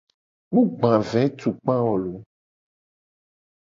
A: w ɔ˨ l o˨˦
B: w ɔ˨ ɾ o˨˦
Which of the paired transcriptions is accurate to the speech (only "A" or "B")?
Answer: A